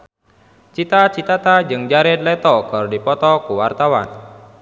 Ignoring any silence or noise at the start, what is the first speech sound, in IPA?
t͡ʃ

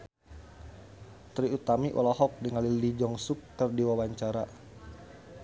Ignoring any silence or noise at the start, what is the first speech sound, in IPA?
t̪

